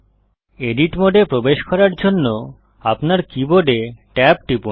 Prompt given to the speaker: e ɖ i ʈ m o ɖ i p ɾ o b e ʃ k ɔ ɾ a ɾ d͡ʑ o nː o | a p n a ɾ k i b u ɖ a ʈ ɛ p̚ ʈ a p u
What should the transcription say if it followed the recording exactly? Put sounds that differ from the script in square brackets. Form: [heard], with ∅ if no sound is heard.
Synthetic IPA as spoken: e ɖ i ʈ m o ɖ [e] p ɾ o b e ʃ k ɔ ɾ a ɾ d͡ʑ o nː o | a p n a ɾ k i b [o] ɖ [e] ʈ ɛ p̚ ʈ [i] p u